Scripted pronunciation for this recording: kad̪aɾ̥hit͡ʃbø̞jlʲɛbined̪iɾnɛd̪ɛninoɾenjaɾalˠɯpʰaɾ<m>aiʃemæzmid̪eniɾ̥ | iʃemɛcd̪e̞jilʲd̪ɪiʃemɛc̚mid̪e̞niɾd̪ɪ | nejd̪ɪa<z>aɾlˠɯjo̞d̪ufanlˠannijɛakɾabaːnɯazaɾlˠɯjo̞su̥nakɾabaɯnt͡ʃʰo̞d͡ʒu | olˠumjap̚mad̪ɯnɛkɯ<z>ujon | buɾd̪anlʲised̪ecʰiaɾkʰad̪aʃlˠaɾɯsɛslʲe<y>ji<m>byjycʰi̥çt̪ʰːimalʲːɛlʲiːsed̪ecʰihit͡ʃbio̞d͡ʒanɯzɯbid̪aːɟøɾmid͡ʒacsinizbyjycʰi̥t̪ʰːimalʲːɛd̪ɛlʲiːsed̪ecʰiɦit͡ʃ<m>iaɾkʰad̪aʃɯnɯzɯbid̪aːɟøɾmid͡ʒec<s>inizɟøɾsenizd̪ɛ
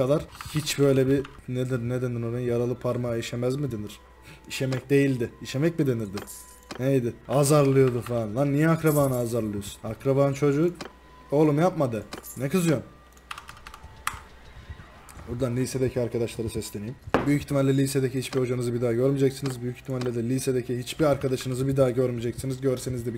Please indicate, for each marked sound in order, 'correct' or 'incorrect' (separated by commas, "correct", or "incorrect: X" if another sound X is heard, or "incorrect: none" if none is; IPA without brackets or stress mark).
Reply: correct, correct, correct, incorrect: i, correct, incorrect: b, correct